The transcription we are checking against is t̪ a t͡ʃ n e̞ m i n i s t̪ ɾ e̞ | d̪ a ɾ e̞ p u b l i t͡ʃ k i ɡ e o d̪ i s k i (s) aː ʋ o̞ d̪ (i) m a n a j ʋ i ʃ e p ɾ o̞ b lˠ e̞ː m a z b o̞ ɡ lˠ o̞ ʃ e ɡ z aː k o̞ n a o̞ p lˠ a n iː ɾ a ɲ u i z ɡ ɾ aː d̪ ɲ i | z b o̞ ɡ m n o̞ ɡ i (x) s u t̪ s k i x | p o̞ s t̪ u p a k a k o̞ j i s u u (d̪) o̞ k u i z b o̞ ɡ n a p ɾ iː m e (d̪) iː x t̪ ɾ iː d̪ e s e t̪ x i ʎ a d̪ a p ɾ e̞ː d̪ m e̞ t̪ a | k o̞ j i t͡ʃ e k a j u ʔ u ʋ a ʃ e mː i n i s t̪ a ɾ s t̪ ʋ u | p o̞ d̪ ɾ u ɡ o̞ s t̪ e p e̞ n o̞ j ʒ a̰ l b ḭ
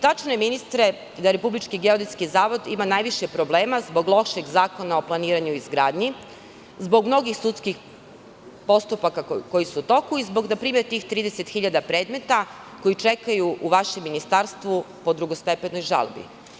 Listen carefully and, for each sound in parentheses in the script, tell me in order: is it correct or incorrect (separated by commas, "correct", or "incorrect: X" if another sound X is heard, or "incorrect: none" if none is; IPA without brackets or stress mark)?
incorrect: z, correct, correct, incorrect: t̪, incorrect: t̪